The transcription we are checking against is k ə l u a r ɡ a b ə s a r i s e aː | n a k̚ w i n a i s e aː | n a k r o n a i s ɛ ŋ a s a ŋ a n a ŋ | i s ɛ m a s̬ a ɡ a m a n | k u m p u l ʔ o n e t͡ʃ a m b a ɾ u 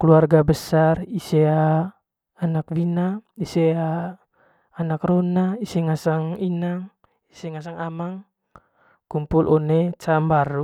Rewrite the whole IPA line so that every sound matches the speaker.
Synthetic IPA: k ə l u a r ɡ a b ə s a r i s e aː | n a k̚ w i n a i s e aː | n a k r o n a i s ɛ ŋ a s a ŋ i n a ŋ | i s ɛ ŋ a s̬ a ŋ a m a ŋ | k u m p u l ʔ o n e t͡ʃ a m b a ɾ u